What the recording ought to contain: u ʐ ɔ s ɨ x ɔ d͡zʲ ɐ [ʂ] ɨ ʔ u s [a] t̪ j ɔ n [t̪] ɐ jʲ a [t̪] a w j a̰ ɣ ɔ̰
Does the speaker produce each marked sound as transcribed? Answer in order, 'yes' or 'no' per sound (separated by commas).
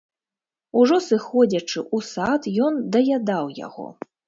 no, yes, no, no